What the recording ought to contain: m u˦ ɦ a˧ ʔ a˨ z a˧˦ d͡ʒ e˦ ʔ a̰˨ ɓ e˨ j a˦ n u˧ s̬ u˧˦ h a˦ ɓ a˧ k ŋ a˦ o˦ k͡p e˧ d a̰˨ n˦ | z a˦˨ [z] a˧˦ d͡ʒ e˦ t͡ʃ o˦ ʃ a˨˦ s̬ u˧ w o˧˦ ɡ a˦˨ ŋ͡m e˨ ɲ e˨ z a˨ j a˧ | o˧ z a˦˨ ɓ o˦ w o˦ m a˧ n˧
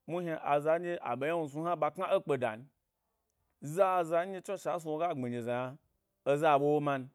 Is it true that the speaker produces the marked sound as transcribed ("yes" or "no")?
yes